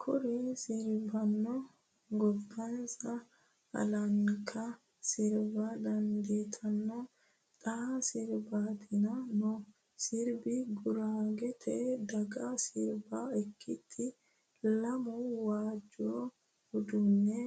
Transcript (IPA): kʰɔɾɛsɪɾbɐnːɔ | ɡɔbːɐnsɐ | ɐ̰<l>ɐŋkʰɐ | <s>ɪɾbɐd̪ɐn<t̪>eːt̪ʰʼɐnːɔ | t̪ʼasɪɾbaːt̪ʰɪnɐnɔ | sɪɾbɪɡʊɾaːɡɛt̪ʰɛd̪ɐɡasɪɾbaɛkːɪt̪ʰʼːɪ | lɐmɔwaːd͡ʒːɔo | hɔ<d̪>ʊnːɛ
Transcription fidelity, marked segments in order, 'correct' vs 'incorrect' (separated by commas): correct, correct, incorrect, correct